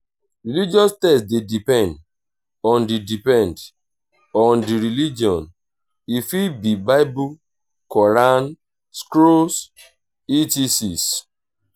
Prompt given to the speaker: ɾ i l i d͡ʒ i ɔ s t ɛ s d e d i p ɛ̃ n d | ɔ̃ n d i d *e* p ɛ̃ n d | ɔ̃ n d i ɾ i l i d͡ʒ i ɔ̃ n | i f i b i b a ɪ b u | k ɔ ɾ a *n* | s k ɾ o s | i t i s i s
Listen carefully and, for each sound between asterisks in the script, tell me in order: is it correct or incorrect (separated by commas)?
incorrect, correct